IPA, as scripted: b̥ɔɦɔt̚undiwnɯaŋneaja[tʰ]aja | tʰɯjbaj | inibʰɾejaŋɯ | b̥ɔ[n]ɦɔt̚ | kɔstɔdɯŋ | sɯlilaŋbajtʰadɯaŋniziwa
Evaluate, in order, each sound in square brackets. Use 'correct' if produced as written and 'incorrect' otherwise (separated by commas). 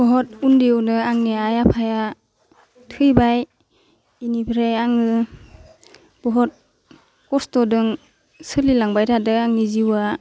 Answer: incorrect, incorrect